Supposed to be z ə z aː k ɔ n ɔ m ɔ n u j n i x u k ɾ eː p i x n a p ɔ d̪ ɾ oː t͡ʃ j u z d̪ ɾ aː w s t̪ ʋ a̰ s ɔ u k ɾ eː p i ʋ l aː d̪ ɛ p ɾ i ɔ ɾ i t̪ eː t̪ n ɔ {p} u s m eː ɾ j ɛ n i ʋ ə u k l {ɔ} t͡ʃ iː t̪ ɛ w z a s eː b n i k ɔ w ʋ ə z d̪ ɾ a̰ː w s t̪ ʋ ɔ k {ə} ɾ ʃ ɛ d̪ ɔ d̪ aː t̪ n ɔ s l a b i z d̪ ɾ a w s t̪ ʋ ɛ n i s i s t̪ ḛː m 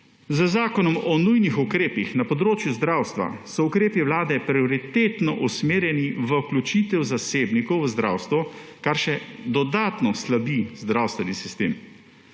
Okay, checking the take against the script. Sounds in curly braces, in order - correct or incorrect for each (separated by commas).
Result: incorrect, incorrect, incorrect